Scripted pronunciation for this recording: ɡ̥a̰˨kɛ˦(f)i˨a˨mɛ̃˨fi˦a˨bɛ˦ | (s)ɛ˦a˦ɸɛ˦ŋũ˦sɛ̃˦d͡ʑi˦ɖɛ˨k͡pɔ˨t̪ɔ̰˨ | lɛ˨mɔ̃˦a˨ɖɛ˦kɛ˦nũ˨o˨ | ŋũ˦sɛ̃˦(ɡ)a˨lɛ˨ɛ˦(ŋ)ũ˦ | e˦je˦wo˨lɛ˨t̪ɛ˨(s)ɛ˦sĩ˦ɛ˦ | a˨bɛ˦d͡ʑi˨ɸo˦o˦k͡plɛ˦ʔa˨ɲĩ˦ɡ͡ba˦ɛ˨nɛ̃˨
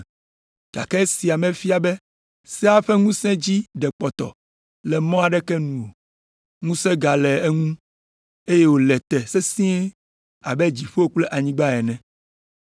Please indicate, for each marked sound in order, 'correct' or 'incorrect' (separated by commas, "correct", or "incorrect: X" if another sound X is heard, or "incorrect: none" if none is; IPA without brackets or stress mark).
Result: incorrect: s, correct, correct, correct, correct